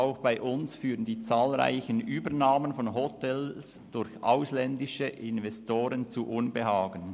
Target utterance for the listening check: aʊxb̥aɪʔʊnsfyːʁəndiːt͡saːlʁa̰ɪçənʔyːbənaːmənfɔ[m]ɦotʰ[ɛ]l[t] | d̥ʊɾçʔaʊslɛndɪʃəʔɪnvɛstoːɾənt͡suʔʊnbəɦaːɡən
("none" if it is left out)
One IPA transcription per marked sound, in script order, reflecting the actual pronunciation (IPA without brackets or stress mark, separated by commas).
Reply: n, ɛ, s